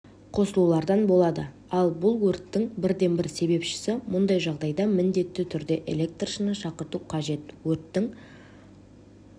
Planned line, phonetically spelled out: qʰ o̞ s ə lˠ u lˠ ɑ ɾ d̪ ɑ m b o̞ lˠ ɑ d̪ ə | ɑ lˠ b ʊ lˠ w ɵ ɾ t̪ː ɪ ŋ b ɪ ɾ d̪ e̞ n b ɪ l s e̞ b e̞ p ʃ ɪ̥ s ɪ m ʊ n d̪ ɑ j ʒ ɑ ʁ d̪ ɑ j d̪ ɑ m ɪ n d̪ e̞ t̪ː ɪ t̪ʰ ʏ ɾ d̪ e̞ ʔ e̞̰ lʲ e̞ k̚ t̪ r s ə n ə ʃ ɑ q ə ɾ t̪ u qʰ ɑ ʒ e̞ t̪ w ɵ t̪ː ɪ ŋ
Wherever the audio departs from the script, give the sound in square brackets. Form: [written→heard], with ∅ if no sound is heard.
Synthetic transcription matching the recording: qʰ o̞ s ə lˠ u lˠ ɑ ɾ d̪ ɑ [m→n] b o̞ lˠ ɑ d̪ ə | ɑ lˠ b ʊ lˠ w ɵ ɾ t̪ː ɪ ŋ b ɪ ɾ d̪ e̞ n b ɪ [l→ɾ] s e̞ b e̞ p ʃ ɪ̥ s ɪ m ʊ n d̪ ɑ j ʒ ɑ ʁ d̪ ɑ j d̪ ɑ m ɪ n d̪ e̞ t̪ː ɪ t̪ʰ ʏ ɾ d̪ e̞ ʔ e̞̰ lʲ e̞ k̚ t̪ r [s→ʃ] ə n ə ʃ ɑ q ə ɾ t̪ u qʰ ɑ ʒ e̞ t̪ w ɵ t̪ː ɪ ŋ